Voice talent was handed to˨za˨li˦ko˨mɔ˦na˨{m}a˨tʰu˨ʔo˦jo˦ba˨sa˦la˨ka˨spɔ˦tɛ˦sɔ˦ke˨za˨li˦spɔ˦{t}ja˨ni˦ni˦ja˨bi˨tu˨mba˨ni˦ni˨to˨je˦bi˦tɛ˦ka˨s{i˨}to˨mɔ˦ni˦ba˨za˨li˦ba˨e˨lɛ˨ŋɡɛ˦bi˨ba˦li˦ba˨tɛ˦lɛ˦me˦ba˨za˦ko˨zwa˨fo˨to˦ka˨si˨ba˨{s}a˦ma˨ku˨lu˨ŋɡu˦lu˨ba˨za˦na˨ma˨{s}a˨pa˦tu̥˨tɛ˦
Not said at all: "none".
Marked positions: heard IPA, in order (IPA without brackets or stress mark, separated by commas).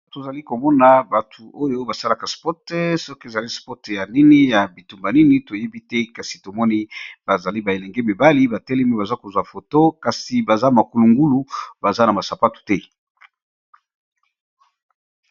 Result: b, t, i˨, z, s